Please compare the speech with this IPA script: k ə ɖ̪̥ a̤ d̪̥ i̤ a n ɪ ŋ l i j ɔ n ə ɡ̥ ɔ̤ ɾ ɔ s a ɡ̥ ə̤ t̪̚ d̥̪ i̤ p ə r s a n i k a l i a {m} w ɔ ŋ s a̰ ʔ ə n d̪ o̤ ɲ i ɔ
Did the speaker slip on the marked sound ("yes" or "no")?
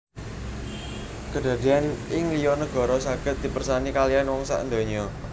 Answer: yes